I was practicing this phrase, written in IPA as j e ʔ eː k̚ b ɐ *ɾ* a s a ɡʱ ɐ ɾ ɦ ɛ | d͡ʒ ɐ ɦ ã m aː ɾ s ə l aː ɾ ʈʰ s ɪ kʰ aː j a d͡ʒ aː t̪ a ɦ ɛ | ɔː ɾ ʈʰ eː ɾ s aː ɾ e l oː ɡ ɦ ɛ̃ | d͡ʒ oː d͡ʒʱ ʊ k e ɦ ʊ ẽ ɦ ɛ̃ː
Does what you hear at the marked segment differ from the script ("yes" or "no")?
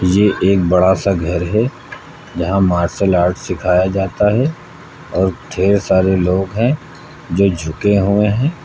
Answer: yes